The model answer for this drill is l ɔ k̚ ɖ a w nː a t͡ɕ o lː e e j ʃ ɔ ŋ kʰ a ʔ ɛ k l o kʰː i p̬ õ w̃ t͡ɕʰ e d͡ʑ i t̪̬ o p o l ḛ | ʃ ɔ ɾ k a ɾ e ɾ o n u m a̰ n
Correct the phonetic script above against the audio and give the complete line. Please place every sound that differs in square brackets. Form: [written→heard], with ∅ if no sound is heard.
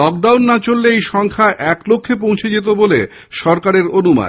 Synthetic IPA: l ɔ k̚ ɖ a w nː a t͡ɕ o lː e e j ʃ ɔ ŋ kʰ a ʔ ɛ k l o kʰː [i→e] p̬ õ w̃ t͡ɕʰ e d͡ʑ [i→e] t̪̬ o [p→b] o l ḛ | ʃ ɔ ɾ k a ɾ e ɾ o n u m a̰ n

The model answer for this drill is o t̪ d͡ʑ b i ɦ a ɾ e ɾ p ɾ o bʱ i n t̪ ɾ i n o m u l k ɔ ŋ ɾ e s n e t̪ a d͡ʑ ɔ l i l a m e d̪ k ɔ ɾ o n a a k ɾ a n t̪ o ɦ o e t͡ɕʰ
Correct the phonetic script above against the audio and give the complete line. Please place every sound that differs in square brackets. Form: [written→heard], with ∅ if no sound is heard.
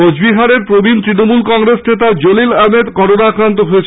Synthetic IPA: o [t̪→∅] d͡ʑ b i ɦ a ɾ e ɾ p ɾ o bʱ i n t̪ ɾ i n o m u l k ɔ ŋ ɾ e s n e t̪ a d͡ʑ [ɔ→o] l i l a m e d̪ k ɔ ɾ o n a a k ɾ a n t̪ o ɦ o e t͡ɕʰ

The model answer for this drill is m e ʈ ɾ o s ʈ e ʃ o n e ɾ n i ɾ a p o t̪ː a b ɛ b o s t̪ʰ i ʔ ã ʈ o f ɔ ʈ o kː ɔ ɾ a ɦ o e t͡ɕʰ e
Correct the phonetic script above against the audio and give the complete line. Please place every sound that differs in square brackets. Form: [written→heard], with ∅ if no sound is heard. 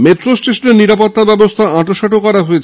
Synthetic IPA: m e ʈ ɾ o s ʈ e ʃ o n e ɾ n i ɾ a p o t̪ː a b ɛ b o s t̪ʰ [i→a] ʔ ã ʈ o [f→ʃ] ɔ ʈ o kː ɔ ɾ a ɦ o e t͡ɕʰ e

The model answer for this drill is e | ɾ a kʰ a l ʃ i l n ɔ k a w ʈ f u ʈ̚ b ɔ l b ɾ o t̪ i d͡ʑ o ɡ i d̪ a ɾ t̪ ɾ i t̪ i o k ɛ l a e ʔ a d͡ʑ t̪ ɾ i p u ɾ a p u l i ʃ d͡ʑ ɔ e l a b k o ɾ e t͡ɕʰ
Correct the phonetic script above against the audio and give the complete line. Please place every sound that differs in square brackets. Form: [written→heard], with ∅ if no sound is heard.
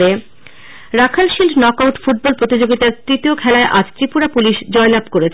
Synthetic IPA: e | ɾ a kʰ a l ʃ i l n ɔ k a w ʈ f u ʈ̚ b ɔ l [b→p] ɾ o t̪ i d͡ʑ o ɡ i [d̪→t̪] a ɾ t̪ ɾ i t̪ i o [k→kʰ] ɛ l a e ʔ a d͡ʑ t̪ ɾ i p u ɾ a p u l i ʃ d͡ʑ ɔ e l a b k o ɾ e t͡ɕʰ

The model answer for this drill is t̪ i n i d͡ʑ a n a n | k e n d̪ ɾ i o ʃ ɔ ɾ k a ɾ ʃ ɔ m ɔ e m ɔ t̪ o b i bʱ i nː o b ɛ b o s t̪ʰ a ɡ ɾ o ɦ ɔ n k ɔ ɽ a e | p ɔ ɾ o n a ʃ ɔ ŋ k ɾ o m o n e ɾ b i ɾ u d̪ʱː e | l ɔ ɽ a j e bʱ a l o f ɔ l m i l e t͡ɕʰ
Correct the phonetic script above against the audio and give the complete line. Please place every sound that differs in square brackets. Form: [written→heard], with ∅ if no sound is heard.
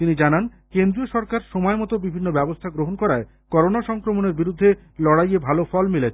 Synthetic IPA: t̪ i n i d͡ʑ a n a n | k e n d̪ ɾ i o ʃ ɔ ɾ k a ɾ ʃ ɔ m ɔ e m ɔ t̪ o b i bʱ i nː o b ɛ b o s t̪ʰ a ɡ ɾ o ɦ [ɔ→o] n k ɔ [ɽ→ɾ] a e | [p→k] ɔ ɾ o n a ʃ ɔ ŋ k ɾ o m o n e ɾ b i ɾ u d̪ʱː e | l ɔ ɽ a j e bʱ a l o f ɔ l m i l e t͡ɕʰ

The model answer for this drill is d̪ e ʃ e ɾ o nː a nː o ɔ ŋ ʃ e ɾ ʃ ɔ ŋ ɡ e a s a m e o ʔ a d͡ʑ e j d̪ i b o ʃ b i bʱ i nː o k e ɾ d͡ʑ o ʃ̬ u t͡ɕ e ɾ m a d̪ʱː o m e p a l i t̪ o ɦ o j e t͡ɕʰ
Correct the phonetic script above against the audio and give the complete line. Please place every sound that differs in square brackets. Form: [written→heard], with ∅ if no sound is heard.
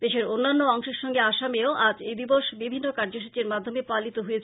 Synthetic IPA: d̪ e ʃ e ɾ o nː a nː o ɔ ŋ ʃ e ɾ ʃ ɔ ŋ ɡ e a [s→ʃ] a m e o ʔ a d͡ʑ e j d̪ i b o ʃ b i bʱ i nː o k [e→a] ɾ d͡ʑ o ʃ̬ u t͡ɕ e ɾ m a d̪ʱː o m e p a l i t̪ o ɦ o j e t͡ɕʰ

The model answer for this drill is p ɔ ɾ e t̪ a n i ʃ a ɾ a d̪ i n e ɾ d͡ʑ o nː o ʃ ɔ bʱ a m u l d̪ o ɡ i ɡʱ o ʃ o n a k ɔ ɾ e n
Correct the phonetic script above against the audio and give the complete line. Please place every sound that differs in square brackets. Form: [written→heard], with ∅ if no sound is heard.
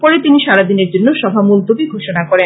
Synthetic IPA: p ɔ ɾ e t̪ [a→i] n i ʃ a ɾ a d̪ i n e ɾ d͡ʑ o nː o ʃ ɔ bʱ a m u l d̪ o [ɡ→b] i ɡʱ o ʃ o n a k ɔ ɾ e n

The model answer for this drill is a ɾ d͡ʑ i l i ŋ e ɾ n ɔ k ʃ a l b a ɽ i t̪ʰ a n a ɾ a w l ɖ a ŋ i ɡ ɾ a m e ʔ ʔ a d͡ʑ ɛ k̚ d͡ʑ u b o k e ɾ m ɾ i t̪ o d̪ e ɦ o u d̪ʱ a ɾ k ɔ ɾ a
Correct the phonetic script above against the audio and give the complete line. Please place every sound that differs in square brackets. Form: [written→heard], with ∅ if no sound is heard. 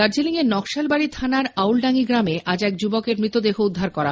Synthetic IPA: a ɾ d͡ʑ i l i ŋ e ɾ n ɔ k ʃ a l b a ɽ i t̪ʰ a n a ɾ a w l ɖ a ŋ i ɡ ɾ a m e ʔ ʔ a d͡ʑ ɛ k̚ d͡ʑ u b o k e ɾ m ɾ i t̪ o d̪ e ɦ o u [d̪ʱ→d̪ʱː] a ɾ k ɔ ɾ a

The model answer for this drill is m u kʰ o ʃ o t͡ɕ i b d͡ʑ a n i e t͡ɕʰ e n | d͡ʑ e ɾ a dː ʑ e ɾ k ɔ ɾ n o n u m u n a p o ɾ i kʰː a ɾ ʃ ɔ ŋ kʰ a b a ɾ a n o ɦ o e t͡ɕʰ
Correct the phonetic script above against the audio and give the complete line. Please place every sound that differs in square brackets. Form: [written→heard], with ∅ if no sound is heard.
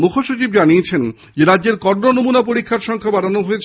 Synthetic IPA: m u kʰ o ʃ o t͡ɕ i b d͡ʑ a n i e t͡ɕʰ e n | d͡ʑ e ɾ a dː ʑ e ɾ k ɔ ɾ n o n [u→o] m u n a p o ɾ i kʰː a ɾ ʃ ɔ ŋ kʰ a b a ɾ a n o ɦ o e t͡ɕʰ

